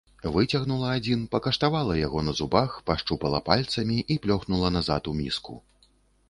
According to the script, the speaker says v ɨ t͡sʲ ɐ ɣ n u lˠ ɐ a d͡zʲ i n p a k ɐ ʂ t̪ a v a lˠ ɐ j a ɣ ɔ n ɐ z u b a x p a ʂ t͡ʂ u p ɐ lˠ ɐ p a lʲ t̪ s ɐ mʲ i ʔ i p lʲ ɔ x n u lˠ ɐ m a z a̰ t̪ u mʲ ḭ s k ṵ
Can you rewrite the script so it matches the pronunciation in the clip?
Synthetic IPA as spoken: v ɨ t͡sʲ ɐ ɣ n u lˠ ɐ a d͡zʲ i n p ɐ k ɐ ʂ t̪ a v a lˠ ɐ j a ɣ ɔ n ɐ z u b a x p a ʂ t͡ʂ u p ɐ lˠ ɐ p a lʲ t̪ s ɐ mʲ i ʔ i p lʲ ɔ x n u lˠ ɐ n a z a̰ t̪ u mʲ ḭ s k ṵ

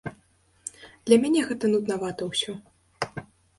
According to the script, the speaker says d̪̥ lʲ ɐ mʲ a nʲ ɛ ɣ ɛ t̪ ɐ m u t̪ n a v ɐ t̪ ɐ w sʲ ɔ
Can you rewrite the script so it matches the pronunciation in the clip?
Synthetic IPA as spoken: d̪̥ lʲ ɐ mʲ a nʲ ɛ ɣ ɛ t̪ ɐ n u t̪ n a v a t̪ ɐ w sʲ ɔ

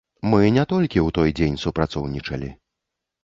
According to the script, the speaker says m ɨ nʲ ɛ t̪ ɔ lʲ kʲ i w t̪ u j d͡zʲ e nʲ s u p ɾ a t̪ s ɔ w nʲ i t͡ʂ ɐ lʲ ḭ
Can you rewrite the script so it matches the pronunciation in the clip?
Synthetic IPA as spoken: m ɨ nʲ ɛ t̪ ɔ lʲ kʲ i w t̪ ɔ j d͡zʲ e nʲ s u p ɾ a t̪ s ɔ w nʲ i t͡ʂ ɐ lʲ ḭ

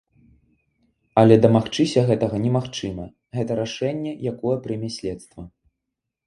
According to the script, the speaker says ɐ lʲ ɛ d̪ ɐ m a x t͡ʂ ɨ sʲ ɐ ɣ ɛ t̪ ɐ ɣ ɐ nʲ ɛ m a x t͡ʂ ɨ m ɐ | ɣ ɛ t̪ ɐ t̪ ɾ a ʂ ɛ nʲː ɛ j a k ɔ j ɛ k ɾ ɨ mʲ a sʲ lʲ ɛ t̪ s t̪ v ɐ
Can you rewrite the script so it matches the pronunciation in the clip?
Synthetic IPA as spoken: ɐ lʲ ɛ d̪ ɐ m a x t͡ʂ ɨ sʲ ɐ ɣ ɛ t̪ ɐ ɣ ɐ nʲ ɛ m a x t͡ʂ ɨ m ɐ | ɣ ɛ t̪ ɐ ɾ a ʂ ɛ nʲː ɛ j a k ɔ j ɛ p ɾ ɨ mʲ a sʲ lʲ ɛ t̪ s t̪ v ɐ

